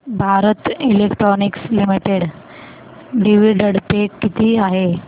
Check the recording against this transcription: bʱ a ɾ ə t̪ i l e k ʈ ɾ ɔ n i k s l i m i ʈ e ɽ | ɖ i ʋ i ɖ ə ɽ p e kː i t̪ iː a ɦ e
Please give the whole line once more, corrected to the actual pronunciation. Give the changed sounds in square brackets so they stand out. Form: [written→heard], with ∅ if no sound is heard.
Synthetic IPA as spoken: bʱ a ɾ ə t̪ i l e k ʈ ɾ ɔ n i k s l i m i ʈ e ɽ | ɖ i ʋ i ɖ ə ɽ p e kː i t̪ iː a ɦ e